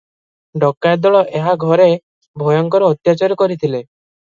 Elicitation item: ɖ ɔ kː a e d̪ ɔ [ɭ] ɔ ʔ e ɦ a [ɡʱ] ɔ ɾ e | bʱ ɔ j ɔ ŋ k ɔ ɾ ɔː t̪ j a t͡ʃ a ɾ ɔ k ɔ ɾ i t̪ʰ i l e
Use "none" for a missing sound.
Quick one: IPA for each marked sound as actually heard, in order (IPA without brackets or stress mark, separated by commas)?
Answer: ɭ, ɡʱ